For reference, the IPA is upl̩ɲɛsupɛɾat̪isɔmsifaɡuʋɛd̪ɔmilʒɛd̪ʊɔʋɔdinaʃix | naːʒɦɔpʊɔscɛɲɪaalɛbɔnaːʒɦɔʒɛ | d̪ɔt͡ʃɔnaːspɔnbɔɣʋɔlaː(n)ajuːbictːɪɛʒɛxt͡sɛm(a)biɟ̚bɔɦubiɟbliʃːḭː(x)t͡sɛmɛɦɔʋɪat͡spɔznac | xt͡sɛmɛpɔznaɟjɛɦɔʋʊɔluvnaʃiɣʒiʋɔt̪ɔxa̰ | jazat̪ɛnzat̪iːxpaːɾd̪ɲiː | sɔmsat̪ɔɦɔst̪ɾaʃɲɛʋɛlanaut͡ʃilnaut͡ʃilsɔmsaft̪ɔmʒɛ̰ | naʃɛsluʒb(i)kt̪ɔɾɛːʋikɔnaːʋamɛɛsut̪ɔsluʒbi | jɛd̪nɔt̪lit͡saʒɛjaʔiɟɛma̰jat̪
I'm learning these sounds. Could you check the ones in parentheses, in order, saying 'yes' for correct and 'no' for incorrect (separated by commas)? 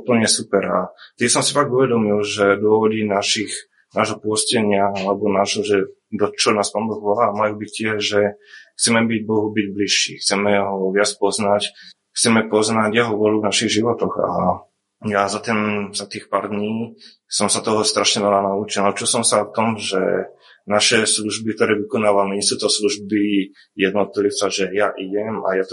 no, no, yes, yes